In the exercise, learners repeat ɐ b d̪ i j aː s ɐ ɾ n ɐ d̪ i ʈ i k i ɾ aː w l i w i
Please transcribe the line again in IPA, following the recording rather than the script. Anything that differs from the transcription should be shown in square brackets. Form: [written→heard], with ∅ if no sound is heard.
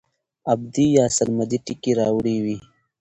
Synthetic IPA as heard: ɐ b d̪ i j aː s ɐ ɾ [n→m] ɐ d̪ i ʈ i k i ɾ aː w [l→ɽ] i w i